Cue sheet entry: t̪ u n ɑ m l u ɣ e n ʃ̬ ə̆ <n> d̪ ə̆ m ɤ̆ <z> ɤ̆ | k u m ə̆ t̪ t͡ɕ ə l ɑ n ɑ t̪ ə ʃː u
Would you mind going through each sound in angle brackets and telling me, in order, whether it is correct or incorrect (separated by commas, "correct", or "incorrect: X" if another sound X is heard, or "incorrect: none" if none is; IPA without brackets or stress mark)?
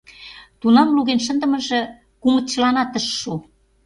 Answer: correct, incorrect: ʒ